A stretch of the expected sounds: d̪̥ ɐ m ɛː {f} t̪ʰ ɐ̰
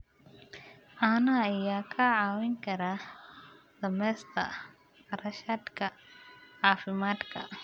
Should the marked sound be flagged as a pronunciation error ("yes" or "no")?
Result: yes